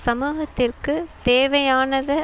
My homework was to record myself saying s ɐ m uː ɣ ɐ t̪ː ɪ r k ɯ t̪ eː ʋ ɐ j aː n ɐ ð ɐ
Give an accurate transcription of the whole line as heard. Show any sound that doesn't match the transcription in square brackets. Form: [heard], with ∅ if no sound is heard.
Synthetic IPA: s ɐ m uː ɣ ɐ t̪ː ɪ r k ɯ t̪ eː ʋ ɐ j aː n ɐ ð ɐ